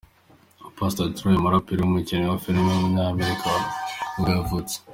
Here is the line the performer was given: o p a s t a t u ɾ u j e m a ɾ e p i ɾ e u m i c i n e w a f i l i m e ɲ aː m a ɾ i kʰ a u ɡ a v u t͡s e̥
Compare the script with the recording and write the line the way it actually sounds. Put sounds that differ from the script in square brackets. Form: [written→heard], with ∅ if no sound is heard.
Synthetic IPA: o p a s t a t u ɾ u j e m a ɾ [e→a] p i ɾ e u m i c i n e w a f i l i m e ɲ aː m [a→e] ɾ i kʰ a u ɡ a v u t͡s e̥